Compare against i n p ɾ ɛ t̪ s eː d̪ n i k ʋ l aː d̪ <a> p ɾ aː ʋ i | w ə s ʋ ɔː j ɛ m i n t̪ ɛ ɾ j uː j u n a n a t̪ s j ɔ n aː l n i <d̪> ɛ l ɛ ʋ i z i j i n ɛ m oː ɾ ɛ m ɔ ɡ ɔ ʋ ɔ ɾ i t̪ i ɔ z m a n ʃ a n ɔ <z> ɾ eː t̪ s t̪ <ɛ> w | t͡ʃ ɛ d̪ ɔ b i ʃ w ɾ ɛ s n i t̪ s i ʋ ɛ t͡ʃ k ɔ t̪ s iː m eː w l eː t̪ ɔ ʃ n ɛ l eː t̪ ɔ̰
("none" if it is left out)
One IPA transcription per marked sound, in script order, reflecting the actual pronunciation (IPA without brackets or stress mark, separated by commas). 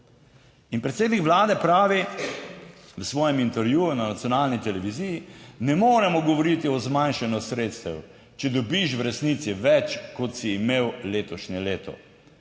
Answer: ɛ, t̪, s, ɛ